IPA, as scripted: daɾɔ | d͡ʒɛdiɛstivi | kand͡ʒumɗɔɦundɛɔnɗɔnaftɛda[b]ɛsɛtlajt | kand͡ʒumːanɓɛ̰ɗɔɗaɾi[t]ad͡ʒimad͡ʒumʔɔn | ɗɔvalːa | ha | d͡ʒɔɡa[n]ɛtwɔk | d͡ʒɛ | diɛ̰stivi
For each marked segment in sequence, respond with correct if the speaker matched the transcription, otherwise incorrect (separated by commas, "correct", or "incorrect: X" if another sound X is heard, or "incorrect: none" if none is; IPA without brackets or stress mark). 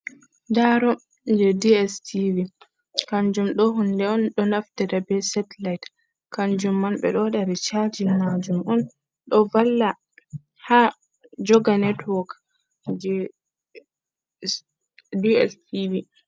correct, incorrect: t͡ʃ, correct